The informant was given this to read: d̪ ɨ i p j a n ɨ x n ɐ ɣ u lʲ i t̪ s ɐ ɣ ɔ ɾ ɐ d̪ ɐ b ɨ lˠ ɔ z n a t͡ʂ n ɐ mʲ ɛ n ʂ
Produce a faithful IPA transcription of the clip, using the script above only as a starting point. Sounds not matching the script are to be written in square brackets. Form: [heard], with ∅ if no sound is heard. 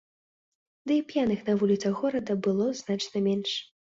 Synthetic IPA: d̪ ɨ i p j a n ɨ x n ɐ [v] u lʲ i t̪ s ɐ ɣ ɔ ɾ ɐ d̪ ɐ b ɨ lˠ ɔ z n a t͡ʂ n ɐ mʲ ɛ n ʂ